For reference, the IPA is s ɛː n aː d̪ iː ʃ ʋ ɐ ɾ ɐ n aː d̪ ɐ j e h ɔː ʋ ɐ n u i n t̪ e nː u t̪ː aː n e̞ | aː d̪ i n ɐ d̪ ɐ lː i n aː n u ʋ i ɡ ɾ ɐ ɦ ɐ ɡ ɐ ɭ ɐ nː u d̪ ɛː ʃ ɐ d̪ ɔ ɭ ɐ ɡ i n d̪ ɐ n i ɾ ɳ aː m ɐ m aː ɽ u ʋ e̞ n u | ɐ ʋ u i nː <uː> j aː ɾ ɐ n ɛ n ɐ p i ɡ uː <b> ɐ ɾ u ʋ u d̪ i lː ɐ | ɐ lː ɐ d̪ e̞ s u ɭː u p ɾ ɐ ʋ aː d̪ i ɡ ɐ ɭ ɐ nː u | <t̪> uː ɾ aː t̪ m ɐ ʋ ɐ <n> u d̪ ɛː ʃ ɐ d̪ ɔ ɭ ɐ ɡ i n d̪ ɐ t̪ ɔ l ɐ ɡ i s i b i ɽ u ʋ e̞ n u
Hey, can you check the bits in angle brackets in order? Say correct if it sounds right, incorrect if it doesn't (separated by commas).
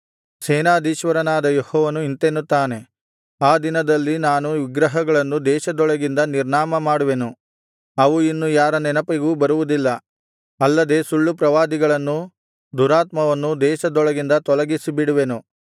incorrect, correct, incorrect, incorrect